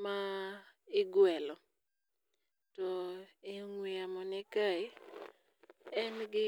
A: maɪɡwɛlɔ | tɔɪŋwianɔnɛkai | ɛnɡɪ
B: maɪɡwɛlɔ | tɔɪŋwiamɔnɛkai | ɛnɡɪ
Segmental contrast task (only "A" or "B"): B